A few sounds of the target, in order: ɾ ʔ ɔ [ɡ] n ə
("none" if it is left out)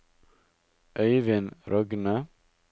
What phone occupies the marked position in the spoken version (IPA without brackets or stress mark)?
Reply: ɡ